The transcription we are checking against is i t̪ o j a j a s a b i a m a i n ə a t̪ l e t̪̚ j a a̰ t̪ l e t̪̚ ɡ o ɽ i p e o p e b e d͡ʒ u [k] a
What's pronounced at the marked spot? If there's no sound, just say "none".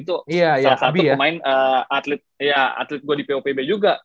ɡ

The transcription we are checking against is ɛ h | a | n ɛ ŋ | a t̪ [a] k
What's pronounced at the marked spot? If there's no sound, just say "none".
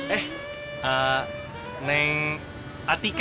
i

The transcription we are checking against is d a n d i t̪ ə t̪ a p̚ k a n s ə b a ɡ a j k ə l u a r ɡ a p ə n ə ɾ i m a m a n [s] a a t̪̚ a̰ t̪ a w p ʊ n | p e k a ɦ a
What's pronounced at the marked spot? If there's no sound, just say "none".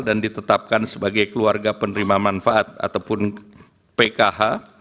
f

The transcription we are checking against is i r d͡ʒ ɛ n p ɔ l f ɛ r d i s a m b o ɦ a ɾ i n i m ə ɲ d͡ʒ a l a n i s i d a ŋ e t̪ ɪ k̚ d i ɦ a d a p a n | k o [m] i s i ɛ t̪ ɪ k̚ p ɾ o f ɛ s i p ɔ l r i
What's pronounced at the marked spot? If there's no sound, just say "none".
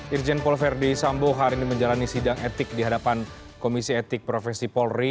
m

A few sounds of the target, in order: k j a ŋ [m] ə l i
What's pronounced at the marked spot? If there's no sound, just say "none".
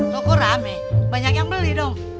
b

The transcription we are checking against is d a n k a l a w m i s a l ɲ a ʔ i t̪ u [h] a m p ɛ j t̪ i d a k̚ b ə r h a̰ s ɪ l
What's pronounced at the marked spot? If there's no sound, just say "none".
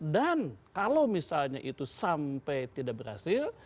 s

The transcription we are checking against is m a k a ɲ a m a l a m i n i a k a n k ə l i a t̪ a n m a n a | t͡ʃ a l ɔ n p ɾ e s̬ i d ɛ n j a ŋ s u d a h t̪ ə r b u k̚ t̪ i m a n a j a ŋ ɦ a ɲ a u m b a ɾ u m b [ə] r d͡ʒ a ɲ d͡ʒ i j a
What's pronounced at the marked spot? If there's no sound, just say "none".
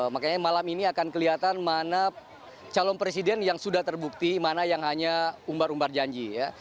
a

